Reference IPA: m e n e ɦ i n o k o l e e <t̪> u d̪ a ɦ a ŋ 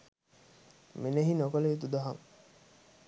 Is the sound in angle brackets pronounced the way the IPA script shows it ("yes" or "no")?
yes